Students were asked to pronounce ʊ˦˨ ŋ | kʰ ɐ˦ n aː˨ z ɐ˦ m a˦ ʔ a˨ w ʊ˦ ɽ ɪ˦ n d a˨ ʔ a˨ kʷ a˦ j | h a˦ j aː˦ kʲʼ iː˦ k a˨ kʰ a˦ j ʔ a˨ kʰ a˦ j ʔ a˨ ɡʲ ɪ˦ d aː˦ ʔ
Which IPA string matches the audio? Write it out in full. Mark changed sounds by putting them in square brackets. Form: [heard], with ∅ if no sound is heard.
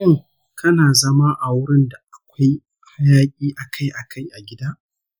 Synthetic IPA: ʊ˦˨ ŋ | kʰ ɐ˦ n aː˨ z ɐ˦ m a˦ ʔ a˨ w ʊ˦ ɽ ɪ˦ n d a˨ ʔ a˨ kʷ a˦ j | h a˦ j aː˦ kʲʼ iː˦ [ʔ] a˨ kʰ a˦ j ʔ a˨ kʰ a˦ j ʔ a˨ ɡʲ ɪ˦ d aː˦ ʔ